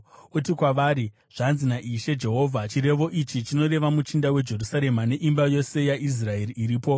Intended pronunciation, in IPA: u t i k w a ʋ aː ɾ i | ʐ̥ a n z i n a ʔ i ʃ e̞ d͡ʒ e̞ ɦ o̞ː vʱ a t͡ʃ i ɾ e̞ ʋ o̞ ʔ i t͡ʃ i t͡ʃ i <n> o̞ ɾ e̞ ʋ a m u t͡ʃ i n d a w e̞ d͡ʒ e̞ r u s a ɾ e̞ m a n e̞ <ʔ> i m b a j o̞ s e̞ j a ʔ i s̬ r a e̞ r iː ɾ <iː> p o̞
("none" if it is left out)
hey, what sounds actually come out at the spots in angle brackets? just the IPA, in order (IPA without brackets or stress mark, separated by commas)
n, ʔ, iː